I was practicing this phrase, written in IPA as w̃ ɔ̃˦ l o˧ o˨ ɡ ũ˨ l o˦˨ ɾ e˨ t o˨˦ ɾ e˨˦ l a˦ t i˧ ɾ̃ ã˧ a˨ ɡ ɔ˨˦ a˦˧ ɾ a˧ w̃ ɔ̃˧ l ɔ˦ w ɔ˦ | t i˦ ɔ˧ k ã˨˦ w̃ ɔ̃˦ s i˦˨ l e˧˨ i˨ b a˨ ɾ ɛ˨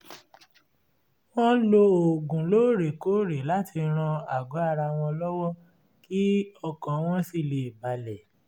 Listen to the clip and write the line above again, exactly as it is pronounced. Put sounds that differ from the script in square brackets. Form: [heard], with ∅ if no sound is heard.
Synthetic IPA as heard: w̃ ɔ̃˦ l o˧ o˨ ɡ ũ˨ l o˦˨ ɾ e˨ [k] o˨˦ ɾ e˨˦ l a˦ t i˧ ɾ̃ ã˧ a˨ ɡ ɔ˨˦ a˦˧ ɾ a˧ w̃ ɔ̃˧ l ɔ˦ w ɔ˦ | [k] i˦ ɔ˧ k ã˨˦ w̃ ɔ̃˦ s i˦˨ l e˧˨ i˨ b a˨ [l] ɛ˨

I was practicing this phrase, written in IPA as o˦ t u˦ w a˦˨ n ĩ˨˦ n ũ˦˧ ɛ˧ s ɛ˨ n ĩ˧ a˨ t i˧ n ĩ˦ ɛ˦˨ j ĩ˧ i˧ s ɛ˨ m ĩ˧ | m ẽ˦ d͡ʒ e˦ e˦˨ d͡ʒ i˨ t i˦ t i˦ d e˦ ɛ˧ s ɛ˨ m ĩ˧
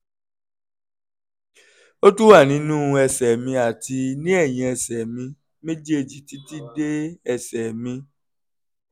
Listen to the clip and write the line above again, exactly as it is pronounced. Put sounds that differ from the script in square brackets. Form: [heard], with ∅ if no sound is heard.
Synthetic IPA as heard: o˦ t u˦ w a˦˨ n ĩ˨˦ n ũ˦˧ ɛ˧ s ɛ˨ [m] ĩ˧ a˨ t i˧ n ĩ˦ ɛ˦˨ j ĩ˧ [ɛ˧] s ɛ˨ m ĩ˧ | m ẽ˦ d͡ʒ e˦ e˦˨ d͡ʒ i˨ t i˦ t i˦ d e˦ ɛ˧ s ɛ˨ m ĩ˧

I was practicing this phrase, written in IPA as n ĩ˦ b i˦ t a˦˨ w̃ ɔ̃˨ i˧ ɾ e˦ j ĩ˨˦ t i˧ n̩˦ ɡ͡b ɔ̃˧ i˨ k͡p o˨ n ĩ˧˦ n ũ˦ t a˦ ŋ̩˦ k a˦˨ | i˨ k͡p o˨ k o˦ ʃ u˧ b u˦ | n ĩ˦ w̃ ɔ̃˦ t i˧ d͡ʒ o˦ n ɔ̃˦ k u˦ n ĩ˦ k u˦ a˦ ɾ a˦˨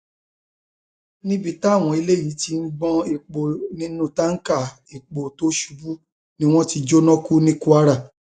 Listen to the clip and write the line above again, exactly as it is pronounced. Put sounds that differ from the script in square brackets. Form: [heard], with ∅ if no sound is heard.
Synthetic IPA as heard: n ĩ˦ b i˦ t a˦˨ w̃ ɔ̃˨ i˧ [l] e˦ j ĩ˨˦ t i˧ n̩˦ ɡ͡b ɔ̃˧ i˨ k͡p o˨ n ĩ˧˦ n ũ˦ t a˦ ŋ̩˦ k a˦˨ | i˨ k͡p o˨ [t] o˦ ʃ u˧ b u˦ | n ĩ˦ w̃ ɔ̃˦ t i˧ d͡ʒ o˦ n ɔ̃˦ k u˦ n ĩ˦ k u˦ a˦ ɾ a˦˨

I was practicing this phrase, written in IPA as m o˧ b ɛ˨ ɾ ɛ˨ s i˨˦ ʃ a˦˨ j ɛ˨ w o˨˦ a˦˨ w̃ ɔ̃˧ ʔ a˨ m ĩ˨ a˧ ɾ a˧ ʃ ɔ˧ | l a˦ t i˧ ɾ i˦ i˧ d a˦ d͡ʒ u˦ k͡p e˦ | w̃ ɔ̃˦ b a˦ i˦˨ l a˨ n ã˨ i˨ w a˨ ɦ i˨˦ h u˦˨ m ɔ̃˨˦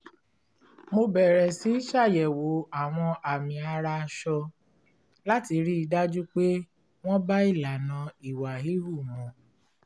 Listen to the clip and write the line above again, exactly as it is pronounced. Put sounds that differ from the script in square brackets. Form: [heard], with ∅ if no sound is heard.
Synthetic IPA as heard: m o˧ b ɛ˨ ɾ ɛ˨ s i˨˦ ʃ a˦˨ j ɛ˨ w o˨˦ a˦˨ w̃ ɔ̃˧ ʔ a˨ m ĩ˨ a˧ ɾ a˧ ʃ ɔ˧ | l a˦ t i˧ ɾ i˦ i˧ d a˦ d͡ʒ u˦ k͡p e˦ | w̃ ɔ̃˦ b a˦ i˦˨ l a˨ n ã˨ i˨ w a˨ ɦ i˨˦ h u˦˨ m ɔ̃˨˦

